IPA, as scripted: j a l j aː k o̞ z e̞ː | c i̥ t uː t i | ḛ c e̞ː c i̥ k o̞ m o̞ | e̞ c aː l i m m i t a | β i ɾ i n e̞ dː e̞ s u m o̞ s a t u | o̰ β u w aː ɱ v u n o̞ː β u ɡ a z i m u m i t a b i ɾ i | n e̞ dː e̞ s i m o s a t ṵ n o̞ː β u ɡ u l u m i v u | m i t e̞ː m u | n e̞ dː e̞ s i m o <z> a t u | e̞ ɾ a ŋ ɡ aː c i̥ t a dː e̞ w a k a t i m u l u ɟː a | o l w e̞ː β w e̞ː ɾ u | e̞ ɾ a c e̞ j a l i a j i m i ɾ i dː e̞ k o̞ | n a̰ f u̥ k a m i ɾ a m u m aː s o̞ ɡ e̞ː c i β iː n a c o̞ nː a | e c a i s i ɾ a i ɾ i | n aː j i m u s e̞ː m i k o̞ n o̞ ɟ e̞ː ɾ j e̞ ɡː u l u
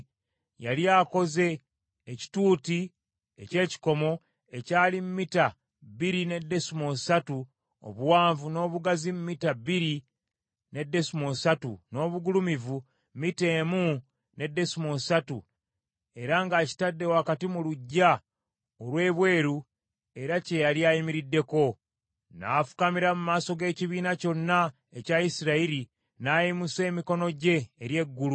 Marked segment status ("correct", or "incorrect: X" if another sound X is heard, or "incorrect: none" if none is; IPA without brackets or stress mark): incorrect: s